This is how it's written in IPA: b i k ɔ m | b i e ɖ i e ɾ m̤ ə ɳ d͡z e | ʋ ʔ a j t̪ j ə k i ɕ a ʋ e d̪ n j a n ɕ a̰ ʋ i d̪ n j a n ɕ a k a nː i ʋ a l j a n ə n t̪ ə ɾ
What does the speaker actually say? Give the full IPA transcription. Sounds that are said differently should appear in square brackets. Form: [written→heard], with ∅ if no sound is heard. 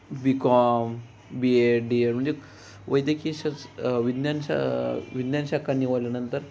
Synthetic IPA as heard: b i k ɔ m | b i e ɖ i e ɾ m̤ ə ɳ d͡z e | ʋ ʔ [a→ə] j [t̪→d̪] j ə k i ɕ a ʋ [e→i] d̪ n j a n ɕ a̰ ʋ i d̪ n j a n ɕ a k a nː i ʋ a l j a n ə n t̪ ə ɾ

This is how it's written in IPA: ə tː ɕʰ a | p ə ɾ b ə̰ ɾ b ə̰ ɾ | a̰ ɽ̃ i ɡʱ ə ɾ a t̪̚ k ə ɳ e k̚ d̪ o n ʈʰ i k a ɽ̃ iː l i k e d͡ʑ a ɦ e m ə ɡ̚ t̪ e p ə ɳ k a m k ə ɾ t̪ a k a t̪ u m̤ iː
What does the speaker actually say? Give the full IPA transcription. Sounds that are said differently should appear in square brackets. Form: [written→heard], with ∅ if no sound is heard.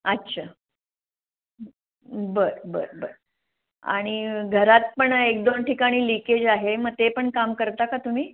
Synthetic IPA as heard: ə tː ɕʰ a | [p→b] ə ɾ b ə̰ ɾ b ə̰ ɾ | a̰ ɽ̃ i ɡʱ ə ɾ a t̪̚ [k→p] ə ɳ e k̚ d̪ o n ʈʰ i k a ɽ̃ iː l i k e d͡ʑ a ɦ e m ə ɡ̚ t̪ e p ə ɳ k a m k ə ɾ t̪ a k a t̪ u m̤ iː

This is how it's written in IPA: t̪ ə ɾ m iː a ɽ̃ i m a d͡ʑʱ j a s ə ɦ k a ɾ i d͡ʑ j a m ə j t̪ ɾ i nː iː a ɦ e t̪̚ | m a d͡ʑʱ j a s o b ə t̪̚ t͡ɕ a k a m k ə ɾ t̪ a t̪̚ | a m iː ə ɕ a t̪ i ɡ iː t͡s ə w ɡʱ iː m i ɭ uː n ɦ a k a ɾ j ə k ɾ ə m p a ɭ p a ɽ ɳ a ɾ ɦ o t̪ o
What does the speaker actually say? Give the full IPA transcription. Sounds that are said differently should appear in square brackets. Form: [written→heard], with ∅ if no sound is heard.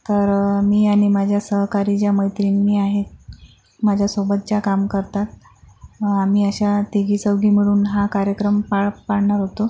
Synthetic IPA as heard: t̪ ə ɾ m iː a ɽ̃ i m a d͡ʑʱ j a s ə ɦ k a ɾ i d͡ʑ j a m ə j t̪ ɾ i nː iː a ɦ e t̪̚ | m a d͡ʑʱ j a s o b ə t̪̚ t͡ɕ a k a m k ə ɾ t̪ a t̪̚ | a m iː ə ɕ a t̪ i ɡ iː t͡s ə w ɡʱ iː m i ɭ uː n ɦ a k a ɾ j ə k ɾ ə m p a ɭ p a ɽ ɳ a ɾ ɦ o t̪ o

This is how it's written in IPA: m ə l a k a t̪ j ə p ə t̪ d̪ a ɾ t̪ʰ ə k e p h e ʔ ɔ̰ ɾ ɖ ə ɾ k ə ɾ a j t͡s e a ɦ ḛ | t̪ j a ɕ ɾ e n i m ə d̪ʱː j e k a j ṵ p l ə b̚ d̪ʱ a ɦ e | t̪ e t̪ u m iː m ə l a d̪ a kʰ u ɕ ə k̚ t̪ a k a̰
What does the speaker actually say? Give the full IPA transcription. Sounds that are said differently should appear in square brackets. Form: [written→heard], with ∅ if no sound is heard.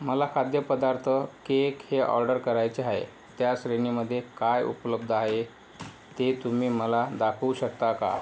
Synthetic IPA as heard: m ə l a [k→kʰ] a [t̪→d̪] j ə p ə [t̪→∅] d̪ a ɾ t̪ʰ ə k e [p→k] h e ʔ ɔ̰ ɾ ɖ ə ɾ k ə ɾ a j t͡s e a ɦ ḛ | t̪ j a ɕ ɾ e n i m ə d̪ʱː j e k a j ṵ p l ə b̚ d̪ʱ a ɦ e | t̪ e t̪ u m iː m ə l a d̪ a kʰ u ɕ ə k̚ t̪ a k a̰

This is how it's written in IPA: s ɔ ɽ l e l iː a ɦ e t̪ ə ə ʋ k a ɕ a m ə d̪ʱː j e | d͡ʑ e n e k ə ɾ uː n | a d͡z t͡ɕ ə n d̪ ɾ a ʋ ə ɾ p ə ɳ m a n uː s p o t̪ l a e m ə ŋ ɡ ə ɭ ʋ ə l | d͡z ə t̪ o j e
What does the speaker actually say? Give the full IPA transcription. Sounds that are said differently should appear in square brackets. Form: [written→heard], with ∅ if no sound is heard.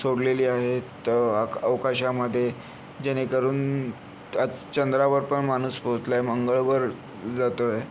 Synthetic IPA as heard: s [ɔ→o] ɽ l e l iː a ɦ e t̪ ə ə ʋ k a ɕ a m ə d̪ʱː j e | d͡ʑ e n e k ə ɾ uː n | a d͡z t͡ɕ ə n d̪ ɾ a ʋ ə ɾ p ə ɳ m a n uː s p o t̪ l a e m ə ŋ ɡ ə ɭ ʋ ə [l→ɾ] | d͡z [ə→a] t̪ o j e

